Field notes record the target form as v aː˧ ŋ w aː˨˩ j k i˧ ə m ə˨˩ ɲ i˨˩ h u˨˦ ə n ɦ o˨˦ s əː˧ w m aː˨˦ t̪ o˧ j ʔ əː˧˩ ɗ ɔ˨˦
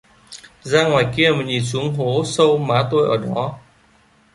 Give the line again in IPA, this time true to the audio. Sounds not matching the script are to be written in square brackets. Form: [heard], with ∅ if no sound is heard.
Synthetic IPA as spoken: [z] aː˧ ŋ w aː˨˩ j k i˧ ə m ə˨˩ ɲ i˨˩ [s] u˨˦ ə [ŋ] ɦ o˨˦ s [ə˧] w m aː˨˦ t̪ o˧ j ʔ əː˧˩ ɗ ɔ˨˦